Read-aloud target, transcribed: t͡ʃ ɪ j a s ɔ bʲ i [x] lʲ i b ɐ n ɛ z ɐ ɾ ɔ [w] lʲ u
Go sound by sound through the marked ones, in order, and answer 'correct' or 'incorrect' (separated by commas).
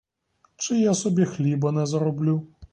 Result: correct, incorrect